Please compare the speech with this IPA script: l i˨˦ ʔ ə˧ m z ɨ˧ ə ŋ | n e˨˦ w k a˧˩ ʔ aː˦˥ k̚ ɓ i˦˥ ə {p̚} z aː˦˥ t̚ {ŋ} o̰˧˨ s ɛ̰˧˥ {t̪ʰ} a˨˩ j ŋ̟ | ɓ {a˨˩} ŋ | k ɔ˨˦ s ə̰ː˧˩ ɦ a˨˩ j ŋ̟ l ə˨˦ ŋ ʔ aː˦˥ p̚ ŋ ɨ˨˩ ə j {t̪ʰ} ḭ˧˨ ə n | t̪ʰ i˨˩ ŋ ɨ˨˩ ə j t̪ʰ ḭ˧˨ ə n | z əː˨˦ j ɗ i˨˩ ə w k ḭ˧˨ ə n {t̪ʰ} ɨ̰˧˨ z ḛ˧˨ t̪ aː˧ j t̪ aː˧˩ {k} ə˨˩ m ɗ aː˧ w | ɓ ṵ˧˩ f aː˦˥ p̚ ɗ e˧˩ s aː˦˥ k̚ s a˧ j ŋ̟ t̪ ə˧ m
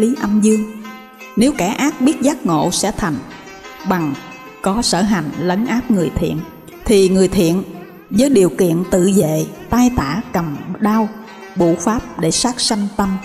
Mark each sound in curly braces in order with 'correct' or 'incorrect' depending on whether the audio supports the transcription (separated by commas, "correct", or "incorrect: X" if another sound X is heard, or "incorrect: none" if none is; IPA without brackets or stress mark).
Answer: incorrect: t̚, correct, correct, correct, correct, incorrect: t̪, correct